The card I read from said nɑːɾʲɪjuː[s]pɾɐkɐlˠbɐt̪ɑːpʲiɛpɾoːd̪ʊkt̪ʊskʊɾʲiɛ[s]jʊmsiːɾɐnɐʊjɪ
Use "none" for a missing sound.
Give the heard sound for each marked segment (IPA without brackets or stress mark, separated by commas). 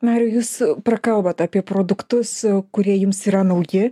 s, none